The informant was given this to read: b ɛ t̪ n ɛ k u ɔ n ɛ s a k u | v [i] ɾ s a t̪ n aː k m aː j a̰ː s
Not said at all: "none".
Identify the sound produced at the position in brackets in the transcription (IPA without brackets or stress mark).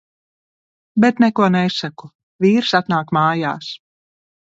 iː